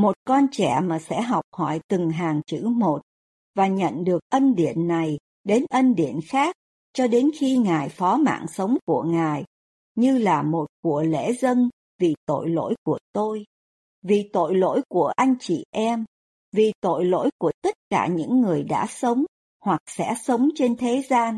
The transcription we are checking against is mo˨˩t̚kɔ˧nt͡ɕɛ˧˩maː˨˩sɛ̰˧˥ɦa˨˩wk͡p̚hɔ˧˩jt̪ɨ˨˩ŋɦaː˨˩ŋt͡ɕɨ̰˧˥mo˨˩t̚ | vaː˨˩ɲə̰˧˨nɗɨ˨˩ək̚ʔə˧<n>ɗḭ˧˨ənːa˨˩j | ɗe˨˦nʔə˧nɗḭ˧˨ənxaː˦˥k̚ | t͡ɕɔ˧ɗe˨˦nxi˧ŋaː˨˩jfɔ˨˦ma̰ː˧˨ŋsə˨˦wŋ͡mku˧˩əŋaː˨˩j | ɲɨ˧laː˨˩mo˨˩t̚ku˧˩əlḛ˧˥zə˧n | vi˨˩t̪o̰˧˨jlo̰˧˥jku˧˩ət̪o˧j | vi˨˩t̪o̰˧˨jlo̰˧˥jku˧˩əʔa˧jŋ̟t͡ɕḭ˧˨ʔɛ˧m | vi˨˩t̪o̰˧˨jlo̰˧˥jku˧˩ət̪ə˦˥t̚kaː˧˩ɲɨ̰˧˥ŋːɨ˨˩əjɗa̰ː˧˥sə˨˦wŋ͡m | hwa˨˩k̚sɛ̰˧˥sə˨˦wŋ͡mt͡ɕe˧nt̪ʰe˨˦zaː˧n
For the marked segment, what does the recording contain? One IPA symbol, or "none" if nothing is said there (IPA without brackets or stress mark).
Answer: n